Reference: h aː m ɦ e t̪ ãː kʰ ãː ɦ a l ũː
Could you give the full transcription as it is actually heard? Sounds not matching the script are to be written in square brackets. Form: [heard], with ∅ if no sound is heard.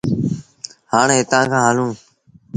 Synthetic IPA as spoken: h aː [ɳ] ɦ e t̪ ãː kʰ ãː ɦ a l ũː